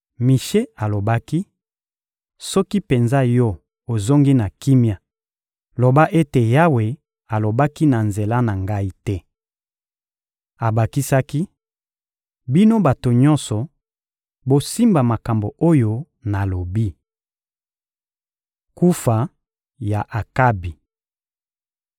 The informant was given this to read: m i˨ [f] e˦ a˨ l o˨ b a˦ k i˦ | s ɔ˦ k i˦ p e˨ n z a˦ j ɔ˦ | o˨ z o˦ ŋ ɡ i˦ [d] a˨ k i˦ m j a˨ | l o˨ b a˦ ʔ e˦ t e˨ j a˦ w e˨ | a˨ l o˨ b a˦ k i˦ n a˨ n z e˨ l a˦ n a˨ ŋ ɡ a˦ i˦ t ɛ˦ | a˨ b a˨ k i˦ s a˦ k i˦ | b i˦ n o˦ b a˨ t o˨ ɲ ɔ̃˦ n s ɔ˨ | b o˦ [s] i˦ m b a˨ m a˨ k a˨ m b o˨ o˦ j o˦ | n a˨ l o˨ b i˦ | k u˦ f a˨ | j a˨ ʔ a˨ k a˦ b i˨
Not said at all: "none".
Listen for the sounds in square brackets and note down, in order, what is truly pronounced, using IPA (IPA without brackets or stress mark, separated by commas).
ʃ, n, s